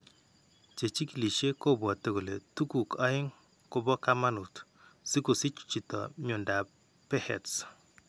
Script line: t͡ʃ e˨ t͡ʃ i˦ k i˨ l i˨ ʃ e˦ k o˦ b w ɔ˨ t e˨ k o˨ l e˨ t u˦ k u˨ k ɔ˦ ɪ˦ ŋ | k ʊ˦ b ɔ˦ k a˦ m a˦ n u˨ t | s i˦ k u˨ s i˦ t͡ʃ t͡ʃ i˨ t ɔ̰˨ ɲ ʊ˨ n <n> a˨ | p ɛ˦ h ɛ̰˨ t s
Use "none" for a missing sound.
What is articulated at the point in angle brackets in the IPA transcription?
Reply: d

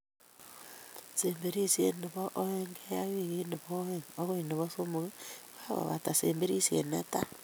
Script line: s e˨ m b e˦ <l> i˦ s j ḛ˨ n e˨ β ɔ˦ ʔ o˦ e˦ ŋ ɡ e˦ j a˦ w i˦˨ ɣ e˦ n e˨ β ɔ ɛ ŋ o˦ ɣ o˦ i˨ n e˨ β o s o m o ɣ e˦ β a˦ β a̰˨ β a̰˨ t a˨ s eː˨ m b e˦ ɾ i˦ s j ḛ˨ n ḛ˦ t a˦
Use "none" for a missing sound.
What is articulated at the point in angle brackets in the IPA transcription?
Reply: ɾ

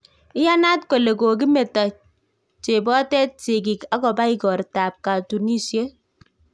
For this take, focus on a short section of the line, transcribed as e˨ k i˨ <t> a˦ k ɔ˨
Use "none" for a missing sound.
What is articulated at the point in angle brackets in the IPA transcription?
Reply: k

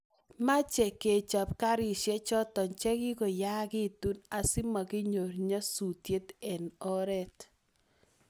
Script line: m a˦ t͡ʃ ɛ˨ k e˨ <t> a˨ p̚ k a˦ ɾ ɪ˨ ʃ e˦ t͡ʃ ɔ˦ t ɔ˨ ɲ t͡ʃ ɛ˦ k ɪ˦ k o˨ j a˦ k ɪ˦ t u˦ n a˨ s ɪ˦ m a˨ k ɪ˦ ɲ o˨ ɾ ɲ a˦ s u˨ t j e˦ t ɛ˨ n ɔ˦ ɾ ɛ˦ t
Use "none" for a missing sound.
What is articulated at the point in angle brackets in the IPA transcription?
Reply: t͡ʃ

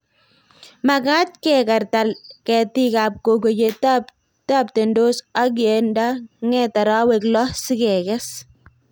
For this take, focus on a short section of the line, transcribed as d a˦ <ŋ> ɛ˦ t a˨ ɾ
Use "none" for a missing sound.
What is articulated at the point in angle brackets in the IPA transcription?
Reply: ŋ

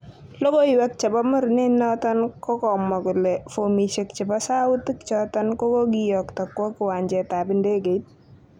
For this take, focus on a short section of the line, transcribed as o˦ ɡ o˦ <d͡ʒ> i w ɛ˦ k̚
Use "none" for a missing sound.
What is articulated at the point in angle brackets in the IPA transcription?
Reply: none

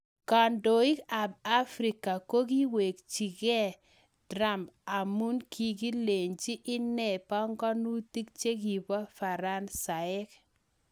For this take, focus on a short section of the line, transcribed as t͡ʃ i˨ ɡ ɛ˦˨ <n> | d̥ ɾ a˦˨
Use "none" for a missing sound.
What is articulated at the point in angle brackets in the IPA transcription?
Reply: none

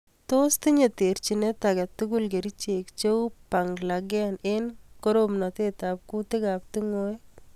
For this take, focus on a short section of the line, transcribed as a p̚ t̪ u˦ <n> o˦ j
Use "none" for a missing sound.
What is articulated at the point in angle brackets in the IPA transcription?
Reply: ŋ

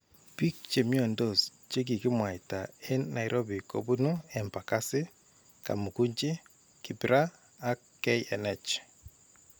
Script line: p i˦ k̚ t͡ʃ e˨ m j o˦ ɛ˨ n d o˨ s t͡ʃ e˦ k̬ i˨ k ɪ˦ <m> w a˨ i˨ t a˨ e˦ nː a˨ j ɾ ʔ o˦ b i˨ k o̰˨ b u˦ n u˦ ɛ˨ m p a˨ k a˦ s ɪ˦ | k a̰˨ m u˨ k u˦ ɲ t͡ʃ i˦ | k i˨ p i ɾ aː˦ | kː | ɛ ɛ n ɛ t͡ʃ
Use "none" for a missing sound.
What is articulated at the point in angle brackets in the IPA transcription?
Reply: m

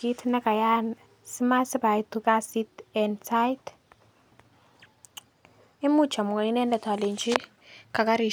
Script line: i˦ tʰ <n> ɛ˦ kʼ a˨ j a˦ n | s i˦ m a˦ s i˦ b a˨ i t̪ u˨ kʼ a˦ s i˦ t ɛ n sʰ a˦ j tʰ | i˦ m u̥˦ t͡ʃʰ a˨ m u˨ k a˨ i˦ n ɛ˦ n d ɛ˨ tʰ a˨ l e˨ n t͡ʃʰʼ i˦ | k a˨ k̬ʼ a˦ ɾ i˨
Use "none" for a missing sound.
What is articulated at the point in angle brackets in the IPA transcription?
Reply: n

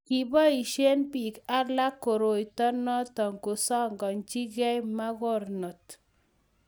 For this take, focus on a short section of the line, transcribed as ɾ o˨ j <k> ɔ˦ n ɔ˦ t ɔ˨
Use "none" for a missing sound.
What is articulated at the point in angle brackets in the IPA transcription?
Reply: t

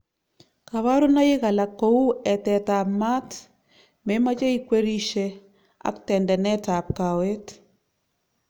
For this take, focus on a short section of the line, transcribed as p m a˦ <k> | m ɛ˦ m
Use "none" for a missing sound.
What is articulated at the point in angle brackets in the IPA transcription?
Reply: t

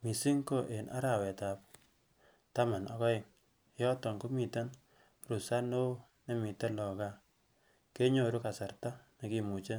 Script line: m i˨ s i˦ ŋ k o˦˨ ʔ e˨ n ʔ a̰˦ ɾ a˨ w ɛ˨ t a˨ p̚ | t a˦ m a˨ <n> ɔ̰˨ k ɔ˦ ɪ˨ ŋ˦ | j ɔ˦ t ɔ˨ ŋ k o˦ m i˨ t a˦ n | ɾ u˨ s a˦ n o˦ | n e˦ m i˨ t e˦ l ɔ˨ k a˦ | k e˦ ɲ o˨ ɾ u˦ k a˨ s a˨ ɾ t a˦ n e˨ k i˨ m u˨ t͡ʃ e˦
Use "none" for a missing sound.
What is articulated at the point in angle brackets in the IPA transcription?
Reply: n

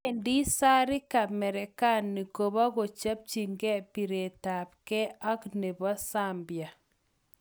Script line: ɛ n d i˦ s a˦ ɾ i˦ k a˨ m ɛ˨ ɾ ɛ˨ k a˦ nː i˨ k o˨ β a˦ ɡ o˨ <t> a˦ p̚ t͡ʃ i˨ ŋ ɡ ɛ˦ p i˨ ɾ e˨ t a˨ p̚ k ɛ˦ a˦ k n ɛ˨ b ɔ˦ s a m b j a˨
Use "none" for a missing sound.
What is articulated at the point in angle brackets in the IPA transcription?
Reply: t͡ʃ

